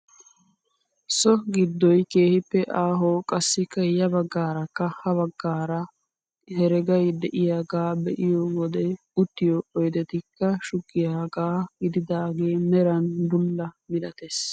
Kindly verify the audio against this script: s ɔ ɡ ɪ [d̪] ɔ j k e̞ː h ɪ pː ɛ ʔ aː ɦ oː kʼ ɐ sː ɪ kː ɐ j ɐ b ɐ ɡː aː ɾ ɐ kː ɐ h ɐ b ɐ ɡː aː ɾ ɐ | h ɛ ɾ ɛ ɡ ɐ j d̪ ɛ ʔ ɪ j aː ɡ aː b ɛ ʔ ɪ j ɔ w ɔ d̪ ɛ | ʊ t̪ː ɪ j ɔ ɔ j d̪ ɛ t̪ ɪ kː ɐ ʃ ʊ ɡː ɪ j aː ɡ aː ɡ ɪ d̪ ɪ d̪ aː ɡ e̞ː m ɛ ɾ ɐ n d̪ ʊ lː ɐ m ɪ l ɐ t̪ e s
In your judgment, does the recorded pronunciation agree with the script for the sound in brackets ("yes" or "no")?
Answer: no